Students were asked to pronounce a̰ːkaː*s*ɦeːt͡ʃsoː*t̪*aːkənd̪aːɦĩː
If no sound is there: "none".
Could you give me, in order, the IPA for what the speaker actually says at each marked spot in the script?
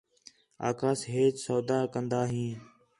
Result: s, d̪

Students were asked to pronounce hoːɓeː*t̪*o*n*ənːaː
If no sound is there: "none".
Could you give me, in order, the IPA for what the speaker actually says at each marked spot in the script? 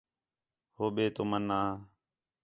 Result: t̪, m

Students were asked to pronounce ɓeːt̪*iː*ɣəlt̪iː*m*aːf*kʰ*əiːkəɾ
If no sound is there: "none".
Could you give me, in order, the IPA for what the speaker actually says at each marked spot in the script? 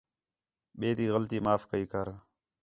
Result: iː, m, k

